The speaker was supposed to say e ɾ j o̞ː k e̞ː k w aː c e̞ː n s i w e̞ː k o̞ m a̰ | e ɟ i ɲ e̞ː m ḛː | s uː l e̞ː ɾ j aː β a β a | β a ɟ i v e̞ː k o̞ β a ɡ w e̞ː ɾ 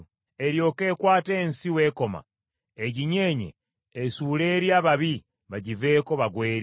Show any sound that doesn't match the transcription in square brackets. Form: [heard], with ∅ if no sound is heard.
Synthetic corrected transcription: e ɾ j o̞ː k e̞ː k w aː [t] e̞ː n s i w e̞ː k o̞ m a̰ | e ɟ i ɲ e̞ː [ɲ] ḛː | s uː l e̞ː ɾ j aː β a β [i] | β a ɟ i v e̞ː k o̞ β a ɡ w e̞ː ɾ